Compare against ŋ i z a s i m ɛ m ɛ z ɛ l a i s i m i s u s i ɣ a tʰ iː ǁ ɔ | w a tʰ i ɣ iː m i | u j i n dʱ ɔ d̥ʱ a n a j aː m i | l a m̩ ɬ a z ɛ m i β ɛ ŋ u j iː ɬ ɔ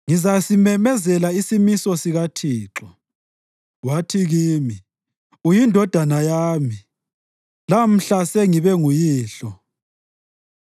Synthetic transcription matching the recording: ŋ i z a s i m ɛ m ɛ z ɛ l a i s i m i s ɔ s i ɣ a tʰ iː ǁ ɔ | w a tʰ i ɣ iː m i | u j i n dʱ ɔ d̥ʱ a n a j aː m i | l a m̩ ɬ a s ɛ ŋ i β ɛ ŋ u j iː ɬ ɔ